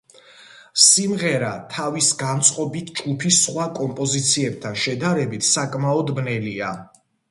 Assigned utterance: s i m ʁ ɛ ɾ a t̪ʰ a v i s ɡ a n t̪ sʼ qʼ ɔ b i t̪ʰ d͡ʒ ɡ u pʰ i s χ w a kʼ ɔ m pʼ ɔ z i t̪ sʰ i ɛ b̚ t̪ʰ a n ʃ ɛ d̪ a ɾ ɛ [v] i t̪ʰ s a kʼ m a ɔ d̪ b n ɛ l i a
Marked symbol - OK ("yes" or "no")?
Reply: no